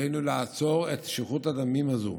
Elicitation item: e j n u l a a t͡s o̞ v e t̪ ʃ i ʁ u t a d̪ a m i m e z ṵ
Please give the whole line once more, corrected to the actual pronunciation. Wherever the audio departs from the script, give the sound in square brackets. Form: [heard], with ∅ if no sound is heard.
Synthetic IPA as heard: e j n u l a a t͡s o̞ [ʁ] e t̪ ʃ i [χ] u t a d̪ a m i m [a] z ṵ